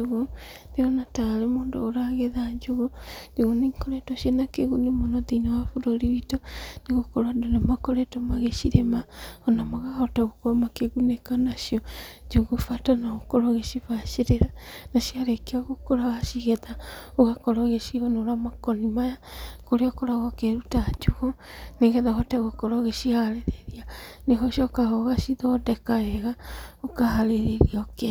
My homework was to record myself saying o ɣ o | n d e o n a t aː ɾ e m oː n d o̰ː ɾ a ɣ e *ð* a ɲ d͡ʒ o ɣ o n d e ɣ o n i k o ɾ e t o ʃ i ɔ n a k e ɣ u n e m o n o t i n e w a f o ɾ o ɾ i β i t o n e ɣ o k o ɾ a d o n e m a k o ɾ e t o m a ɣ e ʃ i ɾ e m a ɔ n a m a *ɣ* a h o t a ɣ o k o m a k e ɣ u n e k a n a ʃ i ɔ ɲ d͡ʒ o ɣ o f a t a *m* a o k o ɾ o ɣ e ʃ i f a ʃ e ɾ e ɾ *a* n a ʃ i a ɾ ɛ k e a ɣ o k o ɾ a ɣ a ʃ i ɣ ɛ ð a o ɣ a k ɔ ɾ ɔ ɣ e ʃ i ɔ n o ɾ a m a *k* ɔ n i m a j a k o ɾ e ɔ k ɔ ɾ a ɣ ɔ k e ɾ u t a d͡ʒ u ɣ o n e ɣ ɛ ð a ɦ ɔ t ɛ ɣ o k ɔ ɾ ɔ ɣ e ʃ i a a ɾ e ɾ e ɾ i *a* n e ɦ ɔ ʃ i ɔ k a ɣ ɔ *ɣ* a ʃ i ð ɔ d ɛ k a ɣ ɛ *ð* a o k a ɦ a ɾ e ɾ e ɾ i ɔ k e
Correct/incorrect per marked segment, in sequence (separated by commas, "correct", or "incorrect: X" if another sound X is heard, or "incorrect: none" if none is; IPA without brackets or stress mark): correct, correct, incorrect: n, correct, correct, correct, correct, incorrect: ɣ